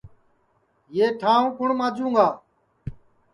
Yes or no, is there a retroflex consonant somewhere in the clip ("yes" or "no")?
yes